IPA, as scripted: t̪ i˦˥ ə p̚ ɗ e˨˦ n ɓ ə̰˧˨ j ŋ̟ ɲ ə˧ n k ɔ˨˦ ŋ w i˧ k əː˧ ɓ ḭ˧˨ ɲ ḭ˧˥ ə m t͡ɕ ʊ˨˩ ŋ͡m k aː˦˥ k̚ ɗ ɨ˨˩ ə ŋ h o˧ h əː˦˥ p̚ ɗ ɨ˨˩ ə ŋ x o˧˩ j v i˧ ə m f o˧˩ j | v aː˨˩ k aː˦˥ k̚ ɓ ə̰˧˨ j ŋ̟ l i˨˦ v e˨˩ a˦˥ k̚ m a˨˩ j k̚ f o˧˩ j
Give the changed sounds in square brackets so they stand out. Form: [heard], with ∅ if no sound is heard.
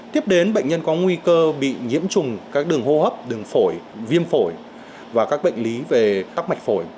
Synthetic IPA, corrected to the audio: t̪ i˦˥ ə p̚ ɗ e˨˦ n ɓ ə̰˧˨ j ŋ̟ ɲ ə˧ n k ɔ˨˦ ŋ w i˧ k əː˧ ɓ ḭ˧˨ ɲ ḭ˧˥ ə m t͡ɕ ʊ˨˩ ŋ͡m k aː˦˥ k̚ ɗ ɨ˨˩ ə ŋ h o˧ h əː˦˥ p̚ ɗ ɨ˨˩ ə ŋ [f] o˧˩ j v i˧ ə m f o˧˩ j | v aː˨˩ k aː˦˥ k̚ ɓ ə̰˧˨ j ŋ̟ l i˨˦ v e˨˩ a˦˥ k̚ m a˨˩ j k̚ f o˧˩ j